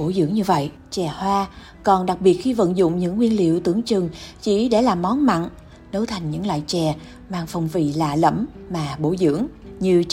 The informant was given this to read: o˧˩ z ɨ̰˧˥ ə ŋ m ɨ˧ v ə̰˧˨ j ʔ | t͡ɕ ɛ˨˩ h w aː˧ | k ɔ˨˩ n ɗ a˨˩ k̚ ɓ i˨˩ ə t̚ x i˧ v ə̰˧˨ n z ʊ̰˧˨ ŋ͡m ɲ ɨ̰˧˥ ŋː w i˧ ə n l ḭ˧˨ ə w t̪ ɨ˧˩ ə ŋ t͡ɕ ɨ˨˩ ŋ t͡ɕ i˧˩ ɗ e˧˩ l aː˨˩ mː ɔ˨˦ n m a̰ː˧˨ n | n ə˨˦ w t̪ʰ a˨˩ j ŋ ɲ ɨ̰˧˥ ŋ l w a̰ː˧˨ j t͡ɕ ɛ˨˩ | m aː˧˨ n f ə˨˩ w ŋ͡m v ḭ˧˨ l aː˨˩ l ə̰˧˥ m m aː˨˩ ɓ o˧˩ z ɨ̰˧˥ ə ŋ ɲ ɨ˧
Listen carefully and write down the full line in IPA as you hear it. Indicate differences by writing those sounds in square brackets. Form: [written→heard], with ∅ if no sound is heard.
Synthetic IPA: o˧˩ z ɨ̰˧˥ ə ŋ [m→ɲ] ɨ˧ v ə̰˧˨ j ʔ | t͡ɕ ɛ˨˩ h w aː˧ | k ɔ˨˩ n ɗ a˨˩ k̚ ɓ i˨˩ ə t̚ x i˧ v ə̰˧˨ n z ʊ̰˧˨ ŋ͡m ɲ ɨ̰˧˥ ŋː w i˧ ə n l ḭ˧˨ ə w t̪ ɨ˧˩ ə ŋ t͡ɕ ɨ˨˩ ŋ t͡ɕ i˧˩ ɗ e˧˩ l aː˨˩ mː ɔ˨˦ n m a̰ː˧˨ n | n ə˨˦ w t̪ʰ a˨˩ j ŋ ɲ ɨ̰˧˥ ŋ l w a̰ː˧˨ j t͡ɕ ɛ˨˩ | m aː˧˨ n f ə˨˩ w ŋ͡m v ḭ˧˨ l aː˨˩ l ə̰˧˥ m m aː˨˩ ɓ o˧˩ z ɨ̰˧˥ ə ŋ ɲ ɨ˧